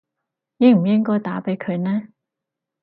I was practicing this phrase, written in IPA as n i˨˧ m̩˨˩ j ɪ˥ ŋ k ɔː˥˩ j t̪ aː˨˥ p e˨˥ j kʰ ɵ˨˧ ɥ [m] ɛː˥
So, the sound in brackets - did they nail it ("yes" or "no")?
no